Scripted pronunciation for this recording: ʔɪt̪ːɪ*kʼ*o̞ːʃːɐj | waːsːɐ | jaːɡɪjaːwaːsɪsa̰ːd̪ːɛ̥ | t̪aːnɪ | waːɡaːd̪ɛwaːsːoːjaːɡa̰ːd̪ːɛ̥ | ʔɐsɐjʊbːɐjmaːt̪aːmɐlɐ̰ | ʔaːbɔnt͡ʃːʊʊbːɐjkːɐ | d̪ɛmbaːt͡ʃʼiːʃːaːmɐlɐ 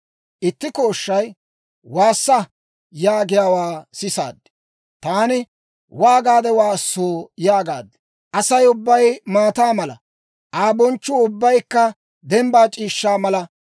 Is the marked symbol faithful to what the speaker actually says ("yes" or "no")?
no